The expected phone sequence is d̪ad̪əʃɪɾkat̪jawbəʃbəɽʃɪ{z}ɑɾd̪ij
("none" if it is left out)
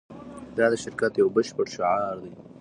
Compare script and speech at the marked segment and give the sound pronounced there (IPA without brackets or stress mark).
ʕ